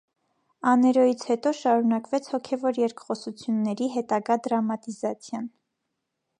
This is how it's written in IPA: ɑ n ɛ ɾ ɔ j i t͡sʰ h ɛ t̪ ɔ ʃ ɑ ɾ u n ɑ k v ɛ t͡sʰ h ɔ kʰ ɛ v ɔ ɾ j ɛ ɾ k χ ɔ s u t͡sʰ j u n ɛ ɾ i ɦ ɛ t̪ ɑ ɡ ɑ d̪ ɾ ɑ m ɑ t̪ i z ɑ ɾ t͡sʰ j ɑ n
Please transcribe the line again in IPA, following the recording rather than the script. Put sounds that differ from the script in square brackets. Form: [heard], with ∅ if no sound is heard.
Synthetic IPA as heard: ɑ n ɛ ɾ ɔ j i t͡sʰ h ɛ t̪ ɔ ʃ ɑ ɾ u n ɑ k v ɛ t͡sʰ h ɔ kʰ ɛ v ɔ ɾ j ɛ ɾ k χ ɔ s u t͡sʰ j u [nː] ɛ ɾ i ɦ ɛ t̪ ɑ ɡ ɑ d̪ ɾ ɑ m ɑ t̪ i z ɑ [∅] t͡sʰ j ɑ n